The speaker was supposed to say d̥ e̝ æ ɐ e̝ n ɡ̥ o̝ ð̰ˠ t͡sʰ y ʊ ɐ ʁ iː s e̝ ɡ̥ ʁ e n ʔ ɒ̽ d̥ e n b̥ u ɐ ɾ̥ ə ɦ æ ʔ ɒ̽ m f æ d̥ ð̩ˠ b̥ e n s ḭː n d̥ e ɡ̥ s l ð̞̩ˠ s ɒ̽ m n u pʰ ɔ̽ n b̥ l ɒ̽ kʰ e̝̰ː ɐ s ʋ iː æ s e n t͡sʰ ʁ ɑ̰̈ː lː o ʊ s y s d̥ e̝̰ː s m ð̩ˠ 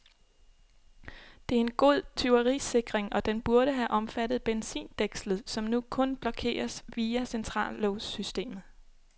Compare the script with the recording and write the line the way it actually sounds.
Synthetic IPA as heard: d̥ e̝ æ ɐ e̝ n ɡ̥ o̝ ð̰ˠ t͡sʰ y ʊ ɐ ʁ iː s e̝ ɡ̥ ʁ e ŋ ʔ ɒ̽ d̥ e n b̥ u ɐ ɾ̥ ə ɦ æ ʔ ɒ̽ m f æ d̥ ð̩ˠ b̥ e n s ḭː n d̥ e ɡ̥ s l ð̞̩ˠ s ɒ̽ m n u kʰ ɔ̽ n b̥ l ɒ̽ kʰ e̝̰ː ɐ s ʋ iː æ s e n t͡sʰ ʁ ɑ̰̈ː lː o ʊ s y s d̥ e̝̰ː m ð̩ˠ